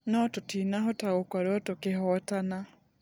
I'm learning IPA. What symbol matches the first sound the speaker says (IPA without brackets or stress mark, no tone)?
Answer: n